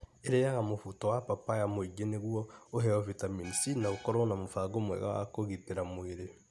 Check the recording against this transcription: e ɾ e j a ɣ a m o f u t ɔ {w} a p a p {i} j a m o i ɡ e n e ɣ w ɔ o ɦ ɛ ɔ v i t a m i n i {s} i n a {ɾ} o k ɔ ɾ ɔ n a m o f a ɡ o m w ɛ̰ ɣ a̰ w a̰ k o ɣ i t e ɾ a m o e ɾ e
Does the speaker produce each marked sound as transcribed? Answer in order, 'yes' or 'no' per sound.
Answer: yes, no, yes, no

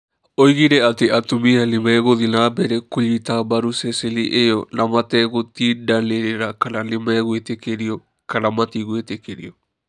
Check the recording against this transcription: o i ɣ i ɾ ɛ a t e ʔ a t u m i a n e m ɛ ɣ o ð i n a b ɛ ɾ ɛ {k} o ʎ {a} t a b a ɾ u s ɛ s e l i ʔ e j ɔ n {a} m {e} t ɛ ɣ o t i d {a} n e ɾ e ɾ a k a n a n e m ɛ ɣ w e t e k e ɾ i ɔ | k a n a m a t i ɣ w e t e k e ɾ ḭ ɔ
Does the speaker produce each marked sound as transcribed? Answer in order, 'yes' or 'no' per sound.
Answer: yes, no, yes, no, yes

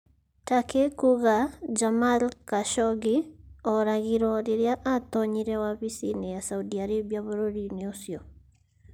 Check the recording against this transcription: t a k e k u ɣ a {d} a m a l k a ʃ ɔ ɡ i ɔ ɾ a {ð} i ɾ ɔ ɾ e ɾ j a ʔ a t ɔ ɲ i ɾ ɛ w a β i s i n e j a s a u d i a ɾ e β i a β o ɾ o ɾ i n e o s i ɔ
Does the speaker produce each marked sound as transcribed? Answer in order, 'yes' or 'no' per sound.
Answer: no, no

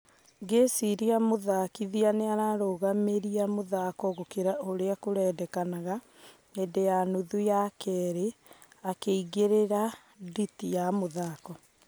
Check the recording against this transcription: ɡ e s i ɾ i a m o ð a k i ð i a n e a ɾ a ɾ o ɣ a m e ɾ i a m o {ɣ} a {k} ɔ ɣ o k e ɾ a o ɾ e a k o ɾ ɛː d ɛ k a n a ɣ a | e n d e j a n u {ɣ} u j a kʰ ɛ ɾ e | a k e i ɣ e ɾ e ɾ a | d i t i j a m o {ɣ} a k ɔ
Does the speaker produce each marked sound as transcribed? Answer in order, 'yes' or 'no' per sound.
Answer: no, yes, no, no

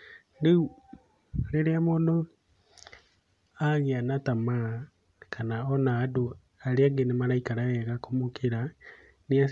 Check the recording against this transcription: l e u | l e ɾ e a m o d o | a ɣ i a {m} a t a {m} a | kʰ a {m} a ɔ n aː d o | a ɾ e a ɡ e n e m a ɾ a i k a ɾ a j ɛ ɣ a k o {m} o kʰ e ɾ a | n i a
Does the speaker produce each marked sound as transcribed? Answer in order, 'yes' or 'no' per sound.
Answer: no, yes, no, yes

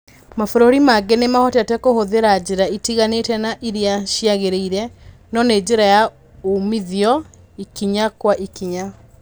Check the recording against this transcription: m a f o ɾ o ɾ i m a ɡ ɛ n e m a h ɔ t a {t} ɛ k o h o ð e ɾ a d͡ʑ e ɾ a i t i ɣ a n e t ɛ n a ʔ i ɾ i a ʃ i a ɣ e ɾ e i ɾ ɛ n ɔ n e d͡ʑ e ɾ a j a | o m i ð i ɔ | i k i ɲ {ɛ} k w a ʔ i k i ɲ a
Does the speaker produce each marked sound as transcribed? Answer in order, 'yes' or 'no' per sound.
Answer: yes, no

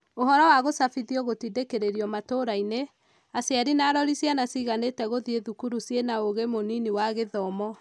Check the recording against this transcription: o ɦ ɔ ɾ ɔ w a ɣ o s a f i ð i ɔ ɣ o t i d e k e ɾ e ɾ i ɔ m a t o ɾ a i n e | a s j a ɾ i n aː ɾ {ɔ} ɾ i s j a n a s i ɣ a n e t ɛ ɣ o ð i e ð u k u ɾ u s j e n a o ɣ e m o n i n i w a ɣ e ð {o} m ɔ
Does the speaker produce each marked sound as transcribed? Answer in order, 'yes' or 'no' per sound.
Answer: yes, no

